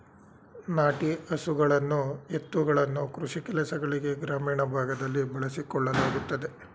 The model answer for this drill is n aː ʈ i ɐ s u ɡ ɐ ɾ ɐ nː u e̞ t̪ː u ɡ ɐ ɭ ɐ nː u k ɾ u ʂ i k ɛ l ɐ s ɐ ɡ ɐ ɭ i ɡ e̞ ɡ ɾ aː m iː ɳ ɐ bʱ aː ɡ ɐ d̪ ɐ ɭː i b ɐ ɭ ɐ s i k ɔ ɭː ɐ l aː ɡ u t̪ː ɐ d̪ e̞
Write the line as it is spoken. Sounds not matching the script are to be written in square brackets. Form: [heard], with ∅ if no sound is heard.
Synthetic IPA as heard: n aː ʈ i ɐ s u ɡ ɐ [ɭ] ɐ nː u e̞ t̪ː u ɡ ɐ ɭ ɐ nː u k ɾ u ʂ i k ɛ l ɐ s ɐ ɡ ɐ ɭ i ɡ e̞ ɡ ɾ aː m iː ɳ ɐ bʱ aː ɡ ɐ d̪ ɐ [lː] i b ɐ ɭ ɐ s i k ɔ ɭː ɐ l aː ɡ u t̪ː ɐ d̪ e̞

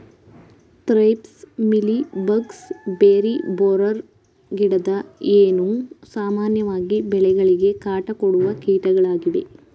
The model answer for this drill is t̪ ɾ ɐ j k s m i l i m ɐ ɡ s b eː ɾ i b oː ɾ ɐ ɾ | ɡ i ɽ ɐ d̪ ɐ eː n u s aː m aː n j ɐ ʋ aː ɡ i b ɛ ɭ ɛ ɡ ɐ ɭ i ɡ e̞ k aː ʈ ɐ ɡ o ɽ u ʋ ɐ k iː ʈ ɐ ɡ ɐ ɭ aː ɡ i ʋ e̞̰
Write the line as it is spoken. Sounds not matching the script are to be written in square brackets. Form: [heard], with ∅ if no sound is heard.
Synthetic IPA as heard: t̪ ɾ ɐ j [p] s m i l i [b] ɐ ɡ s b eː ɾ i b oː ɾ ɐ ɾ | ɡ i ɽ ɐ d̪ ɐ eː n u s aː m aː n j ɐ ʋ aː ɡ i b ɛ ɭ ɛ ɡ ɐ ɭ i ɡ e̞ k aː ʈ ɐ [k] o ɽ u ʋ ɐ k iː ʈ ɐ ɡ ɐ ɭ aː ɡ i ʋ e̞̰

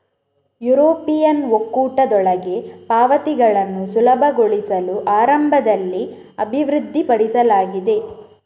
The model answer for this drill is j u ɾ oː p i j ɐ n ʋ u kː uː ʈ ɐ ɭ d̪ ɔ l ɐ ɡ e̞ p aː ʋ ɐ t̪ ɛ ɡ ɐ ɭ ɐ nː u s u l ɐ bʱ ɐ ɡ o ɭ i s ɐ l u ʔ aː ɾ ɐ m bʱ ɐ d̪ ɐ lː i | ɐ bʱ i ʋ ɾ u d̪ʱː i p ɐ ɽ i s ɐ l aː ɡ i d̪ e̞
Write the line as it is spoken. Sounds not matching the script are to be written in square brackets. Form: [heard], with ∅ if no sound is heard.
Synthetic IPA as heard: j u ɾ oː p i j ɐ n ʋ [o] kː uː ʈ ɐ [∅] d̪ ɔ [ɭ] ɐ ɡ e̞ p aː ʋ ɐ t̪ [i] ɡ ɐ ɭ ɐ nː u s u l ɐ bʱ ɐ ɡ o ɭ i s ɐ l u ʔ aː ɾ ɐ m bʱ ɐ d̪ ɐ lː i | ɐ bʱ i ʋ ɾ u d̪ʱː i p ɐ ɽ i s ɐ l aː ɡ i d̪ e̞

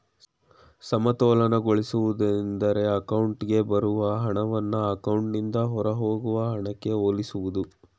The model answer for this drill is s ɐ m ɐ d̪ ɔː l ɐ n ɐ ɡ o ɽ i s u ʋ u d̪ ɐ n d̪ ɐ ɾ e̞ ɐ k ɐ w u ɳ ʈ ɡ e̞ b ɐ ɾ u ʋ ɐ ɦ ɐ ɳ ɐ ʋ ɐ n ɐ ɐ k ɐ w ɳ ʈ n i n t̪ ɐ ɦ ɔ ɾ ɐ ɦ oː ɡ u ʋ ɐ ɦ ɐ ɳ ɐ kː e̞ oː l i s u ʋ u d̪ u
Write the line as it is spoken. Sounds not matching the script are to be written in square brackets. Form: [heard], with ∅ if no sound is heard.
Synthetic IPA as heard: s ɐ m ɐ [t̪] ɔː l ɐ n ɐ ɡ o [ɭ] i s u ʋ u d̪ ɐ n d̪ ɐ ɾ e̞ ɐ k ɐ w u ɳ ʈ ɡ e̞ b ɐ ɾ u ʋ ɐ ɦ ɐ ɳ ɐ ʋ ɐ [nː] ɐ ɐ k ɐ w ɳ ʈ n i n [d̪] ɐ ɦ ɔ ɾ ɐ ɦ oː ɡ u ʋ ɐ ɦ ɐ ɳ ɐ kː e̞ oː l i s u ʋ u d̪ u

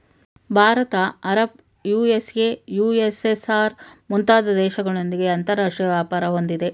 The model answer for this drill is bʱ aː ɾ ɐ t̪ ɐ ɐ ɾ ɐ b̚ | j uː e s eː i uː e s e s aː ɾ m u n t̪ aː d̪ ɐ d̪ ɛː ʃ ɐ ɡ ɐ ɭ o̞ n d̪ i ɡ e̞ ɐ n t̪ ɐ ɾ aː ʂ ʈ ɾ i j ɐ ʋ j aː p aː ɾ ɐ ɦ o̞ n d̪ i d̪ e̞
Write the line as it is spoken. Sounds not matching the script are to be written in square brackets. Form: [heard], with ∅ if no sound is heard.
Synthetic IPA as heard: bʱ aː ɾ ɐ t̪ ɐ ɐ ɾ ɐ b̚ | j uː e s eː [j] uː e s e s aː ɾ m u n t̪ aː d̪ ɐ d̪ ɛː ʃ ɐ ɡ ɐ ɭ o̞ n d̪ i ɡ e̞ ɐ n t̪ ɐ ɾ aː ʂ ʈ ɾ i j ɐ ʋ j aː p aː ɾ ɐ ɦ o̞ n d̪ i d̪ e̞

